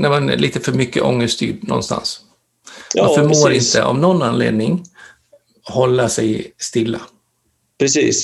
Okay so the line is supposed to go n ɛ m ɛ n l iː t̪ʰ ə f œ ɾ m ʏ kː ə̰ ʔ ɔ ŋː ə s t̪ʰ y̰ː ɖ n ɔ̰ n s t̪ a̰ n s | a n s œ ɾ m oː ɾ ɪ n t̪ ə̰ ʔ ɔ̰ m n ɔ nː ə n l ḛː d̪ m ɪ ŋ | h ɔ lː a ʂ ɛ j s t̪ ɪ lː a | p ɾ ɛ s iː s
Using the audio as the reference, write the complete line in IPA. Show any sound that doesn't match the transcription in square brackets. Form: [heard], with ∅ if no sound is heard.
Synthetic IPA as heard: n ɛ m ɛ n l iː [t̪] ə f œ ɾ m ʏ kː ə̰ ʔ ɔ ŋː ə s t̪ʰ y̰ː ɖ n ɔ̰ n s t̪ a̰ n s | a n [f] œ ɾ m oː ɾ ɪ n t̪ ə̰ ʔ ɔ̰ m n ɔ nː [a] n l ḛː d̪ [n] ɪ ŋ | h ɔ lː a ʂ ɛ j s t̪ ɪ lː a | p ɾ ɛ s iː s